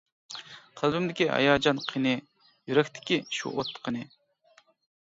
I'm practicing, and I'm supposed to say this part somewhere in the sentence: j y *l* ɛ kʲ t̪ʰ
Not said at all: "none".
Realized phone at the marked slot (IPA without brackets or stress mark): ɾ